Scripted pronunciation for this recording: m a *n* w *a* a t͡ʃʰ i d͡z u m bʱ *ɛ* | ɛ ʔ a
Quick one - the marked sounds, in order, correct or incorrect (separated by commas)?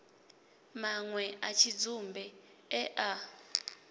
incorrect, incorrect, correct